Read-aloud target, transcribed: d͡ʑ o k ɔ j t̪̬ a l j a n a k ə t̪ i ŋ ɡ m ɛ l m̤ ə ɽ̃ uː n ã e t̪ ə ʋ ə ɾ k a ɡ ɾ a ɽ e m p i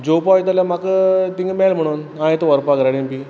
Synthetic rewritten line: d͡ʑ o p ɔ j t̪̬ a l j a m a k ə t̪ i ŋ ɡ m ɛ l m̤ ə ɽ̃ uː n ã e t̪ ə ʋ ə ɾ p a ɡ ɾ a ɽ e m p i